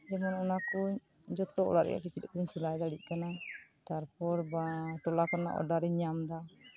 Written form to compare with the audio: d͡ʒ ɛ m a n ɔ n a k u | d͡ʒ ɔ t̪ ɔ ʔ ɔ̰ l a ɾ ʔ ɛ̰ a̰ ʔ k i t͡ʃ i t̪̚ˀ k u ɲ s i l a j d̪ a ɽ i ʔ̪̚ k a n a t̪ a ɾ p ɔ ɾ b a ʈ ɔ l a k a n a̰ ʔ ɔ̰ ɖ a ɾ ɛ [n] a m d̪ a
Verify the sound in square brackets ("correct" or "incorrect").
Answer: incorrect